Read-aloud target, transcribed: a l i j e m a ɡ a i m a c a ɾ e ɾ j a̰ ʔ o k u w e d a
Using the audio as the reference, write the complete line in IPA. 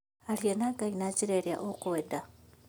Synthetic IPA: a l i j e n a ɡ a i n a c i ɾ e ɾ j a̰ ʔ o k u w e d a